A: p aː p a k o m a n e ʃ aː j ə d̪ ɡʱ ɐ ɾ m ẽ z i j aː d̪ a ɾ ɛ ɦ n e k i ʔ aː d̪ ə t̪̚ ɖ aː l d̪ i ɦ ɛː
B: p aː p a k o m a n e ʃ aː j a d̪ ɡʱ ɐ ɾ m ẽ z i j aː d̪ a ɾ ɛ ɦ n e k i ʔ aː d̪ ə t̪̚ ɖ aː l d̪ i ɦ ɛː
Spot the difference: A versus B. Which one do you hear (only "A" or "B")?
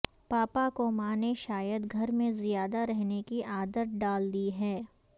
A